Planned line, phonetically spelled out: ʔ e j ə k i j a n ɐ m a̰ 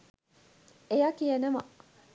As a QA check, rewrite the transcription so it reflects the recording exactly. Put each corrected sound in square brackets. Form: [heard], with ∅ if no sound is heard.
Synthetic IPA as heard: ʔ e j [a] k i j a n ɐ m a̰